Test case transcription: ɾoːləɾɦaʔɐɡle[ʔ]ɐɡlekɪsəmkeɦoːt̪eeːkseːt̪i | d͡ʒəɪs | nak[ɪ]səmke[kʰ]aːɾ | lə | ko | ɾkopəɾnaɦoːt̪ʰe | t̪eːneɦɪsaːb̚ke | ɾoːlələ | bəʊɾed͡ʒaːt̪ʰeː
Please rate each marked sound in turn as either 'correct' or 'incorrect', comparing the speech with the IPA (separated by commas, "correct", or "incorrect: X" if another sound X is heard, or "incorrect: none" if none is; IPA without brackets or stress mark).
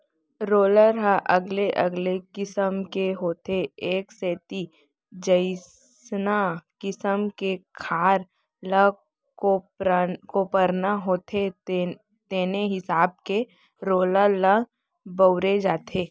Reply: correct, correct, correct